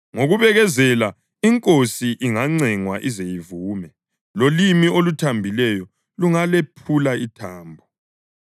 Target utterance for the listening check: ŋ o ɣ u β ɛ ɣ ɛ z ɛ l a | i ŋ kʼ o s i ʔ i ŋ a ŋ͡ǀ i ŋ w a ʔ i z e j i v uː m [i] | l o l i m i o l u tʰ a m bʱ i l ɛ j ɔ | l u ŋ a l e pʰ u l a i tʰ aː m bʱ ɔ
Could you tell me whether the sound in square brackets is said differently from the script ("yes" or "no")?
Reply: yes